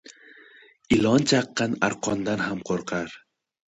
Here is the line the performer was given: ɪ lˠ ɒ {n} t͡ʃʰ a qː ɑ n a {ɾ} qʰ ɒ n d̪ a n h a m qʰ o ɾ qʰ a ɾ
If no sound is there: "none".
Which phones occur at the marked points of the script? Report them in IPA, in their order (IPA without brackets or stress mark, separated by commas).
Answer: n, ɾ